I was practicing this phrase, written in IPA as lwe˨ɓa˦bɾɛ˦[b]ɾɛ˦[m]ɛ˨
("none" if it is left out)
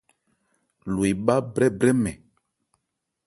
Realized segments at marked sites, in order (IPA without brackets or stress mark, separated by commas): b, m